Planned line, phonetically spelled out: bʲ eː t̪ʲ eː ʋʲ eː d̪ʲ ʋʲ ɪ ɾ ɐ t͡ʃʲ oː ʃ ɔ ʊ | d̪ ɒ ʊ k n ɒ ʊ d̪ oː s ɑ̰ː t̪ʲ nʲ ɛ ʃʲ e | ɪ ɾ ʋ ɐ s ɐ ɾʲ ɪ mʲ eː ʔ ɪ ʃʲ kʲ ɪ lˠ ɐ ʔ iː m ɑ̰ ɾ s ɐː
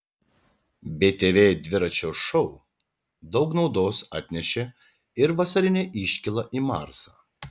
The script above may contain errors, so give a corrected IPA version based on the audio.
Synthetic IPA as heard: bʲ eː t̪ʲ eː ʋʲ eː d̪ʲ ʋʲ ɪ ɾ ɐ t͡ʃʲ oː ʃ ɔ ʊ | d̪ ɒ ʊ k n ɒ ʊ d̪ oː s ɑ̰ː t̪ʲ nʲ ɛ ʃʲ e | ɪ ɾ ʋ ɐ s ɐ ɾʲ ɪ nʲ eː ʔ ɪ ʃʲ kʲ ɪ lˠ ɐ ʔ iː m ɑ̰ ɾ s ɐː